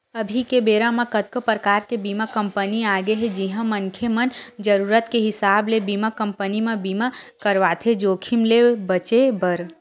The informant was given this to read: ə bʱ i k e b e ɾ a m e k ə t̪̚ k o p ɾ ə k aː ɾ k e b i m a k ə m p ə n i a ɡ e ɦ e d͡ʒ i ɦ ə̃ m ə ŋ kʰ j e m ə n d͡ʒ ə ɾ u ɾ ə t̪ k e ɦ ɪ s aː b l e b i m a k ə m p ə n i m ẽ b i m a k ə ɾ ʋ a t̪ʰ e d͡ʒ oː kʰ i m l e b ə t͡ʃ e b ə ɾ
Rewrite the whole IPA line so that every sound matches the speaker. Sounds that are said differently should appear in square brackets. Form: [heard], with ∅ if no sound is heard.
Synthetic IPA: ə bʱ i k e b e ɾ a m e k ə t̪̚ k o p ɾ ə k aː ɾ k e b i m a k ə m p ə n i a ɡ e ɦ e d͡ʒ i ɦ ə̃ m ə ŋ kʰ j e m ə n d͡ʒ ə ɾ u ɾ ə t̪ k e ɦ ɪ s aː b l e b i m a k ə m p ə n i m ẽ b i m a k ə ɾ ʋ a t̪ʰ e d͡ʒ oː kʰ i m l e b ə t͡ʃ e b ə ɾ